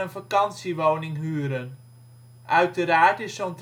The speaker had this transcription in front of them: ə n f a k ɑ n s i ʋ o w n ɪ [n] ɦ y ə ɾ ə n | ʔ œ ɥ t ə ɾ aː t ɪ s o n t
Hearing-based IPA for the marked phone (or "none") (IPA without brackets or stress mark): ŋ